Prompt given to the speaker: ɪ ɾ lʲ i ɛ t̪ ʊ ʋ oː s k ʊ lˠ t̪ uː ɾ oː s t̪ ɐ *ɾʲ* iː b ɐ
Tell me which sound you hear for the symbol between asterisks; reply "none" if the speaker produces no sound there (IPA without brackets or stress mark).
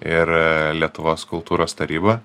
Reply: ɾʲ